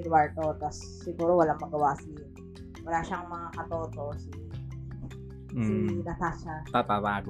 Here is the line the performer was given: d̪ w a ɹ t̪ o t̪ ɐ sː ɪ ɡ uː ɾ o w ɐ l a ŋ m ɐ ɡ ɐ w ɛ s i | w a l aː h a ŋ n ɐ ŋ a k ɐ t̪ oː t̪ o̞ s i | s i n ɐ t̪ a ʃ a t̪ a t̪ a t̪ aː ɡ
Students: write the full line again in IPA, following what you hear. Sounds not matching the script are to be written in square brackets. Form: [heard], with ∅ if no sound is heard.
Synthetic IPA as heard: d̪ w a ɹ t̪ o t̪ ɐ sː ɪ ɡ uː ɾ o w ɐ l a ŋ m ɐ ɡ ɐ w [a] s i | w [ɐ] l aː [ʃ] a ŋ [m] ɐ ŋ a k ɐ t̪ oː t̪ o̞ s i | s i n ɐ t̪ a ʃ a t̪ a t̪ a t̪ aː ɡ